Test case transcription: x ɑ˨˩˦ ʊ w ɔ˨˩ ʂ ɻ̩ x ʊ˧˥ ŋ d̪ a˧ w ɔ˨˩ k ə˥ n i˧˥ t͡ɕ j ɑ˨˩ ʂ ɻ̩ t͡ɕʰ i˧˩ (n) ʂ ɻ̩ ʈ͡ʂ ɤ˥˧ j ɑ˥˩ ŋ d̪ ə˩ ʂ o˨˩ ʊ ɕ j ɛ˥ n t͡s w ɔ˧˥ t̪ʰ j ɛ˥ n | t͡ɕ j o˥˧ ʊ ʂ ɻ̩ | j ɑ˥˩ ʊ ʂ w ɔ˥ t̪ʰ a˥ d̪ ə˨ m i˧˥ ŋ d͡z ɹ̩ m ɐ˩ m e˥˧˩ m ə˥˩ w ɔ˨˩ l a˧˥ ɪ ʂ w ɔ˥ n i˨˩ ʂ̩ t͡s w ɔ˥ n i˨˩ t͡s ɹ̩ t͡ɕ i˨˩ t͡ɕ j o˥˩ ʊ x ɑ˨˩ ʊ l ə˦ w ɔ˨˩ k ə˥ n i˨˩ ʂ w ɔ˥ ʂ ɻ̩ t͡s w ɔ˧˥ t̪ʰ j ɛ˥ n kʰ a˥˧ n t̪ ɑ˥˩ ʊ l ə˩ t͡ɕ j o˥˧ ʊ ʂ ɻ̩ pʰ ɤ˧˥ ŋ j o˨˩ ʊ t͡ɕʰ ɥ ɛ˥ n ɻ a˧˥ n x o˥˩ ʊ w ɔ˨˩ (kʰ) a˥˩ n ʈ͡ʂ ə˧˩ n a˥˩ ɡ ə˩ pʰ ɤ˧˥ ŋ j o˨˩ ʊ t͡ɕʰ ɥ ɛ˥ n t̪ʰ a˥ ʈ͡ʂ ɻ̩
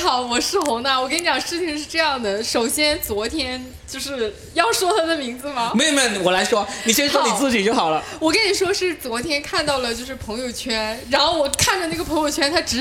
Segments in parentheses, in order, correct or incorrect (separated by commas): incorrect, correct